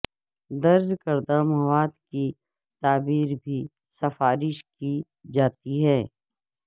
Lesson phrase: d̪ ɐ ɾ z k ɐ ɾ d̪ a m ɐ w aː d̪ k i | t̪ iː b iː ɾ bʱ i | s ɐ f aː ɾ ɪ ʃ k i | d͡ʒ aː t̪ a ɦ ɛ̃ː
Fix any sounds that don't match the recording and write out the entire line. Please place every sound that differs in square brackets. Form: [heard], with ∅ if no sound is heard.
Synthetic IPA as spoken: d̪ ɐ ɾ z k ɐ ɾ d̪ a m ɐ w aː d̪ k i | t̪ [aː] b iː ɾ bʱ i | s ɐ f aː ɾ ɪ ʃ k i | d͡ʒ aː t̪ [i] ɦ [ɛː]